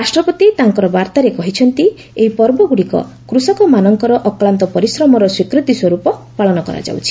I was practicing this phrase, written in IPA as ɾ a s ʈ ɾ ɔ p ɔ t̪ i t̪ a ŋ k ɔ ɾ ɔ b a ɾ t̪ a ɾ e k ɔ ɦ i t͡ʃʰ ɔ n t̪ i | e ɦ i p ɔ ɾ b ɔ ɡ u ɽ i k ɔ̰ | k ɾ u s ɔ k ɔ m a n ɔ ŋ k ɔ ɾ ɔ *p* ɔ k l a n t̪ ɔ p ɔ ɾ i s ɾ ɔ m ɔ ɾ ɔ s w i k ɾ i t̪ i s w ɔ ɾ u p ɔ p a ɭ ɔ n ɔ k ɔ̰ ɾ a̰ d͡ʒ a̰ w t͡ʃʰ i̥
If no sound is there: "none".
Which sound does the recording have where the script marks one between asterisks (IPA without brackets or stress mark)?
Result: ʔ